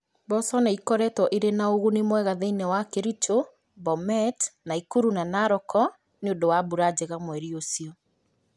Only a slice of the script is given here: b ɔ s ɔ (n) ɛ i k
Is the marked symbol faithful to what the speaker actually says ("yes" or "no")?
yes